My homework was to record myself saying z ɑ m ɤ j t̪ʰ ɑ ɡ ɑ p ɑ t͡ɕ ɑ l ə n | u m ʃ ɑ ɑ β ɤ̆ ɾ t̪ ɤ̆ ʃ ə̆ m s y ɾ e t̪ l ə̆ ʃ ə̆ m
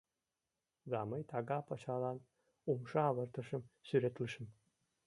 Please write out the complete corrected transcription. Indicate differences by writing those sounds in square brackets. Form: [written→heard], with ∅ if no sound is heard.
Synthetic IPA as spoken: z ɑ m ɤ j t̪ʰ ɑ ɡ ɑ p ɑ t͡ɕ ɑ l [ə→ɑ] n | u m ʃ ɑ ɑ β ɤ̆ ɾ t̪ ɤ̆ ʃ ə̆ m s y ɾ e t̪ l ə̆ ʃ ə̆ m